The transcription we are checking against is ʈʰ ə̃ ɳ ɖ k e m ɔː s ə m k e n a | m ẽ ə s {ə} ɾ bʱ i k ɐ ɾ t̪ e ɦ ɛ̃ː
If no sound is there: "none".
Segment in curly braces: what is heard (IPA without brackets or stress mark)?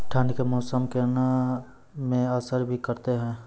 ə